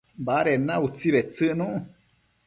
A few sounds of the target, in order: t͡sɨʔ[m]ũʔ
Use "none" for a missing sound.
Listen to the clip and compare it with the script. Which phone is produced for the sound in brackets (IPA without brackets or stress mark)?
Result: n